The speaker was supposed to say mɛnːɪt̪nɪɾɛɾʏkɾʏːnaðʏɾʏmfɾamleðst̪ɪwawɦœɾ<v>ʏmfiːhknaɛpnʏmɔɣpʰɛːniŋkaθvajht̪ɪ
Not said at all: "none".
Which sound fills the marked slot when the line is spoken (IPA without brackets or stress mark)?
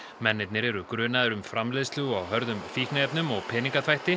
ð